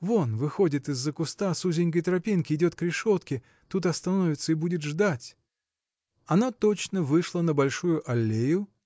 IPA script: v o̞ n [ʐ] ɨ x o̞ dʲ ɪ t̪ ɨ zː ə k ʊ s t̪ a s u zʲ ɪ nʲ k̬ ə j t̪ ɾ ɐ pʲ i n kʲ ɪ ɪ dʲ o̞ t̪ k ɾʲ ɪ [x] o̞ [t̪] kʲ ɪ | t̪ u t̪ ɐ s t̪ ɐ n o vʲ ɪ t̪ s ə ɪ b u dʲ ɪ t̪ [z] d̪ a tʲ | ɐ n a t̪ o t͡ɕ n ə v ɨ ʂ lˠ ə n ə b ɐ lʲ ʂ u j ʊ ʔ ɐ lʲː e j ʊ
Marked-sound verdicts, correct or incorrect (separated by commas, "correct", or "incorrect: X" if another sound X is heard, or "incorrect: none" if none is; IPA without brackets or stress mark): incorrect: v, incorrect: ʂ, correct, incorrect: ʐ